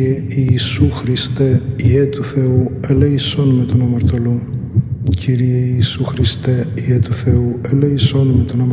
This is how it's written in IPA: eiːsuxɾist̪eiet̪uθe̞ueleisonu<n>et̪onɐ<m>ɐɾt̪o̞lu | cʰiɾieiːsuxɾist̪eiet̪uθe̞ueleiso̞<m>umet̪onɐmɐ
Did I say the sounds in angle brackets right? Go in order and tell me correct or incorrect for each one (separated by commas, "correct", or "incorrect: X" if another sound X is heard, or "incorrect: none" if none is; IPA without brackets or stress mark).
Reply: incorrect: m, correct, incorrect: n